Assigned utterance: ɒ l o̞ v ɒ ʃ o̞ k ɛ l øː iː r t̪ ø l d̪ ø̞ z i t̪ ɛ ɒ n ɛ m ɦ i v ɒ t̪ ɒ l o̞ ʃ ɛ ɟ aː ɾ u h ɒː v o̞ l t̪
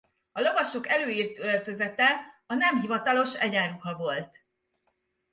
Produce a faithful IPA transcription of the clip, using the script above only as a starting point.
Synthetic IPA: ɒ l o̞ v ɒ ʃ o̞ k ɛ l øː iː r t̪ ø l t̪ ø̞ z ɛ t̪ ɛ ɒ n ɛ m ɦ i v ɒ t̪ ɒ l o̞ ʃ ɛ ɟ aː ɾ u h ɒ v o̞ l t̪